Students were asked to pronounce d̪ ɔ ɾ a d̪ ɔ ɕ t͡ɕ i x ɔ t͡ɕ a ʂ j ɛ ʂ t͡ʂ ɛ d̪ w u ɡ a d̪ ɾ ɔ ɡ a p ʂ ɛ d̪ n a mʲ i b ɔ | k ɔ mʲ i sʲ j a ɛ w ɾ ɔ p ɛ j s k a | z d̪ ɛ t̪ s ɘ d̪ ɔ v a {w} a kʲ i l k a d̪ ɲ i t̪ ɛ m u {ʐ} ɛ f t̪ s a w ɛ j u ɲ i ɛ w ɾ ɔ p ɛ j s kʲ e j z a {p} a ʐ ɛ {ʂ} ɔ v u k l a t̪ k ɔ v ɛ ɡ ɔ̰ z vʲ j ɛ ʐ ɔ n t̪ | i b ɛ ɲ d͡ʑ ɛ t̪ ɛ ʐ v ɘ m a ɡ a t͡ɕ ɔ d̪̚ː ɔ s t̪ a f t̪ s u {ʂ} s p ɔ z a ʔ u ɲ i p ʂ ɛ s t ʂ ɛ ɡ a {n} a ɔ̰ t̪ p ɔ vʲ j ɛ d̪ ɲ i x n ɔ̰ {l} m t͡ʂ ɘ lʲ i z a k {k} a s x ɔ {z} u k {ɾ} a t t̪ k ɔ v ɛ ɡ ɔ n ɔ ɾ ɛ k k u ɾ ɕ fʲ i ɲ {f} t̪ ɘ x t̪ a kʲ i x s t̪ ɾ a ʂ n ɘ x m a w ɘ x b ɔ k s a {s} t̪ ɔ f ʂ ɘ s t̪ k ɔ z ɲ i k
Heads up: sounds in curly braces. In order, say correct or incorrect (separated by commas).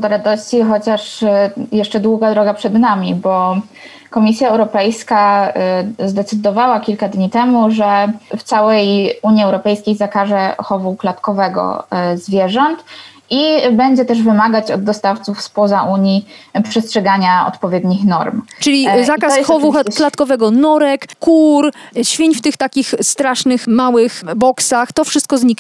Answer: correct, correct, incorrect, incorrect, incorrect, incorrect, incorrect, correct, incorrect, incorrect, correct, incorrect